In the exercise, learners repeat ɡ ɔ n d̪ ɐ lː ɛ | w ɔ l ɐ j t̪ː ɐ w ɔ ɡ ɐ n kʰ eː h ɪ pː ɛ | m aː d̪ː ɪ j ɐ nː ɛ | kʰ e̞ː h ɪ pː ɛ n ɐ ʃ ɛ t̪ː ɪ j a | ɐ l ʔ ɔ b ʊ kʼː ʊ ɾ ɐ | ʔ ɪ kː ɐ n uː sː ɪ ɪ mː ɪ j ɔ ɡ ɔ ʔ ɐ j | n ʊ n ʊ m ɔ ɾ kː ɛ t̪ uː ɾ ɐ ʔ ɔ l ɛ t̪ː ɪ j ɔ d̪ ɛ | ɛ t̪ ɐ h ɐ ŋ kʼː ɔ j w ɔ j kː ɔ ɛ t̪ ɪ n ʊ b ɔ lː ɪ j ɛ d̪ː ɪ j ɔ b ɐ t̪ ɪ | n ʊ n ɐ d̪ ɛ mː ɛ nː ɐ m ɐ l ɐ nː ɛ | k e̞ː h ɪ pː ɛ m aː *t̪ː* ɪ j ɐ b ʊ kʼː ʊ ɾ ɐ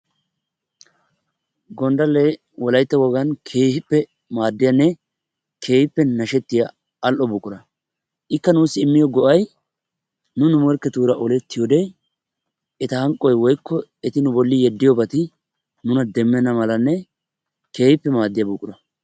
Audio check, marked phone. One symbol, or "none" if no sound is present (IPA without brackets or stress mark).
d̪ː